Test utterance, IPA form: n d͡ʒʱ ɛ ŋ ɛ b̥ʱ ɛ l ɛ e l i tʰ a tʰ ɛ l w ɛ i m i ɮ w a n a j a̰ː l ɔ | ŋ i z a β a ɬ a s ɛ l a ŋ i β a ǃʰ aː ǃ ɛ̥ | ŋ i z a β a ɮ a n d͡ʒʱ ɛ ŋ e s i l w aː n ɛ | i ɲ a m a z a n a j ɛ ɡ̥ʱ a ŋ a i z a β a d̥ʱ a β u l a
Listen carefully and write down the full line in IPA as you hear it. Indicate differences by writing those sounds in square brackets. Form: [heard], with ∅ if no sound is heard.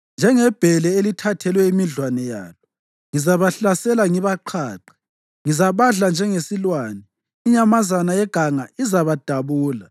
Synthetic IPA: n d͡ʒʱ ɛ ŋ ɛ b̥ʱ ɛ l ɛ e l i tʰ a tʰ ɛ l w ɛ i m i ɮ w a n [ɛ] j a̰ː l ɔ | ŋ i z a β a ɬ a s ɛ l a ŋ i β a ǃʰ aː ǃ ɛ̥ | ŋ i z a β a ɮ a n d͡ʒʱ ɛ ŋ e s i l w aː n ɛ | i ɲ a m a z a n a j ɛ ɡ̥ʱ a ŋ a i z a β a d̥ʱ a β [uː] l a